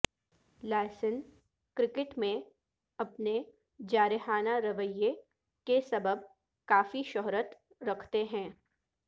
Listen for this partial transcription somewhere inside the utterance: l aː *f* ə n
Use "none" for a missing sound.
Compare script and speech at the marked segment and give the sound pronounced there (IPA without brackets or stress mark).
s